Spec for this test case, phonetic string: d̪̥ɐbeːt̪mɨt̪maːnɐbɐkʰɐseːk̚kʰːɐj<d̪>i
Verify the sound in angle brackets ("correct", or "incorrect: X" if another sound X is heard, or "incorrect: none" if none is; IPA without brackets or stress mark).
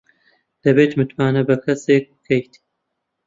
incorrect: t̪